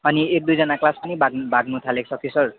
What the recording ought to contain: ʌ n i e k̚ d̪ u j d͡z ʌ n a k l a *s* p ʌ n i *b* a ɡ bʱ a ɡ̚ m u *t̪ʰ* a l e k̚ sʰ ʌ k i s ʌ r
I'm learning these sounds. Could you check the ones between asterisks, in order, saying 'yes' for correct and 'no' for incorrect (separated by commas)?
yes, yes, yes